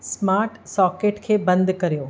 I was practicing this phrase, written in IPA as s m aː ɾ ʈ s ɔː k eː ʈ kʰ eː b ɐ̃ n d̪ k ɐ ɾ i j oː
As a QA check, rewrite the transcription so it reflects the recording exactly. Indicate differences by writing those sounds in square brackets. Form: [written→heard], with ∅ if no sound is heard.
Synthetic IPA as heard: s m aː ɾ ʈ s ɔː k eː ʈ kʰ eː b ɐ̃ n d̪ k ɐ ɾ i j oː